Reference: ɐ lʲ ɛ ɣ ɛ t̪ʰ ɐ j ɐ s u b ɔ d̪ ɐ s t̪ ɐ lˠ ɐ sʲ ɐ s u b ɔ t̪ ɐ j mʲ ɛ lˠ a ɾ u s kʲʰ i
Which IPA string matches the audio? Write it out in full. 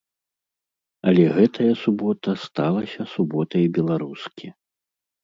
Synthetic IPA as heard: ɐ lʲ ɛ ɣ ɛ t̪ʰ ɐ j ɐ s u b ɔ t̪ ɐ s t̪ a lˠ ɐ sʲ ɐ s u b ɔ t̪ ɐ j bʲ ɛ lˠ a ɾ u s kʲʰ i